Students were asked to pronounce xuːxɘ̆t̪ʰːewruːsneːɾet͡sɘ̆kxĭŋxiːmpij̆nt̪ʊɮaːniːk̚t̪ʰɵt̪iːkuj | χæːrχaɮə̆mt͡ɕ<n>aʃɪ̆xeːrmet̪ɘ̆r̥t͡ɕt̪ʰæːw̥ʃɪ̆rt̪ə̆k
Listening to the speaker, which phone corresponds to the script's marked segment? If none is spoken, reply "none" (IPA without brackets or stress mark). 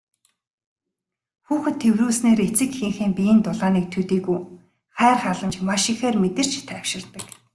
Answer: m